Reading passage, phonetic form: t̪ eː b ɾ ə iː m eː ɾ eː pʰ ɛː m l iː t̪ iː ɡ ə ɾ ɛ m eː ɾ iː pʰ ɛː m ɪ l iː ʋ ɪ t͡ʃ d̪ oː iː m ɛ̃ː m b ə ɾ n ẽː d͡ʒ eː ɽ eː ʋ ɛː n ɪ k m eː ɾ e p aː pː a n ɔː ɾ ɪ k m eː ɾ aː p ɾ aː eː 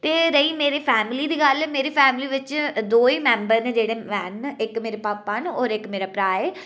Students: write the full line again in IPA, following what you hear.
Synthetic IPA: t̪ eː ɾ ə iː m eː ɾ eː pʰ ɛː m l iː d̪ iː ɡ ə l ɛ m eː ɾ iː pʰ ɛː m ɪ l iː ʋ ɪ t͡ʃ d̪ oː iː m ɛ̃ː m b ə ɾ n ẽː d͡ʒ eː ɽ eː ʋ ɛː n ɪ k m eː ɾ e p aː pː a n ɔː ɾ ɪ k m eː ɾ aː p ɾ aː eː